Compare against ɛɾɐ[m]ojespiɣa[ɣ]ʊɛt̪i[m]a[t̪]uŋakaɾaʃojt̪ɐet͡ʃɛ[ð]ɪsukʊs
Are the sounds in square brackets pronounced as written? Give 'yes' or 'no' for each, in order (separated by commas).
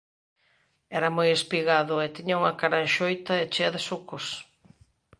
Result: yes, no, no, no, yes